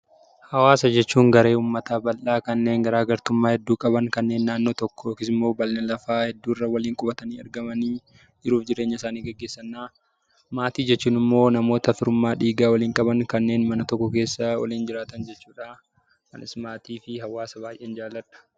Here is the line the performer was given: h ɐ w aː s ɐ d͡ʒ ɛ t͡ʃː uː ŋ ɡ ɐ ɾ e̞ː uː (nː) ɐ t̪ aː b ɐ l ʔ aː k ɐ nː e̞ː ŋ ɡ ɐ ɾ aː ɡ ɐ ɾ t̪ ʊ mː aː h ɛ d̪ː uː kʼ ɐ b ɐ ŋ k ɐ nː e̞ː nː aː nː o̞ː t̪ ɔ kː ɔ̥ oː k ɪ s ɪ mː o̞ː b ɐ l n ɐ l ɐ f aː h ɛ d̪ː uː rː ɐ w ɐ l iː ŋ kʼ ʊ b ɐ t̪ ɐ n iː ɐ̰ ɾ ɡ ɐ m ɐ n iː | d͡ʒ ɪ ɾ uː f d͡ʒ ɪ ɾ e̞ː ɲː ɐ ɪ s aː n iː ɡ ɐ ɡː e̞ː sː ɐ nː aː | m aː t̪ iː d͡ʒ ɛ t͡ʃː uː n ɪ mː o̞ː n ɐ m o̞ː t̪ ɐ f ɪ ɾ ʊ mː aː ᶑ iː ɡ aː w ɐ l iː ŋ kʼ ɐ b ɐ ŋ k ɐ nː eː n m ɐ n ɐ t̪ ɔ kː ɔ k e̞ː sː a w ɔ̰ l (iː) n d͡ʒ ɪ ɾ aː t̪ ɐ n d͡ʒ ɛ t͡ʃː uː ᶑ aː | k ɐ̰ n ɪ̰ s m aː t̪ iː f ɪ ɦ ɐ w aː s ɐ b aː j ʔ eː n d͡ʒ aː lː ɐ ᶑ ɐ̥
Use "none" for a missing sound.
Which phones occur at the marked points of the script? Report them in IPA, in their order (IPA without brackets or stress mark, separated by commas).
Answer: mː, iː